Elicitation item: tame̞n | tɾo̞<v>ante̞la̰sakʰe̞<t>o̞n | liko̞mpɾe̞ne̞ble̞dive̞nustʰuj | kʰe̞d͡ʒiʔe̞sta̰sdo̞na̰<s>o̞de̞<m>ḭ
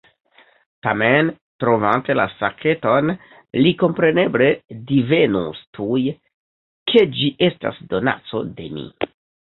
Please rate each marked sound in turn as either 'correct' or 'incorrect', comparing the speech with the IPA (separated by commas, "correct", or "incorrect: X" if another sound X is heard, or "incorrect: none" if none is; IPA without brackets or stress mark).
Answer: correct, correct, incorrect: t͡s, correct